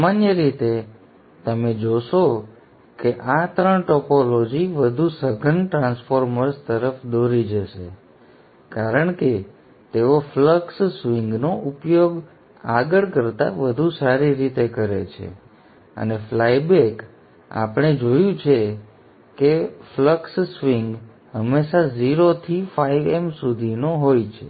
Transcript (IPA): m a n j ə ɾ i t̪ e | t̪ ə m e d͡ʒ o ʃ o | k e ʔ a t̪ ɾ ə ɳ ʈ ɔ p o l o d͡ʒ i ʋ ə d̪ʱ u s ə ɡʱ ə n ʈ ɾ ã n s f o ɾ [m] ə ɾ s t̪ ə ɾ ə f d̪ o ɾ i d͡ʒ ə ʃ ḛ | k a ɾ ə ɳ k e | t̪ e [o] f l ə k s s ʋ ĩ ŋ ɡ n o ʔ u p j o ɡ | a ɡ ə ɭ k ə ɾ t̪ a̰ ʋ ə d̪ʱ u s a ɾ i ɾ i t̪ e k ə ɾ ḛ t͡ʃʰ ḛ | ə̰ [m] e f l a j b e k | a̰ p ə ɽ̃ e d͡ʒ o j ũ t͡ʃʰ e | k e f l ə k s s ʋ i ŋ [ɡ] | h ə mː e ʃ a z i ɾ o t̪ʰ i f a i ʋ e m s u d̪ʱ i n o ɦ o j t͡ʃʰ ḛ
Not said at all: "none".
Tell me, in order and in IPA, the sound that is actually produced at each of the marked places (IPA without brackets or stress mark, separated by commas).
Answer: m, o, n, ɡ